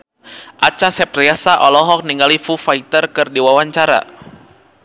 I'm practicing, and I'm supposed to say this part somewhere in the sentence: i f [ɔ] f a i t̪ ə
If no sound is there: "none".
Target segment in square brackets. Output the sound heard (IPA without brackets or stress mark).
u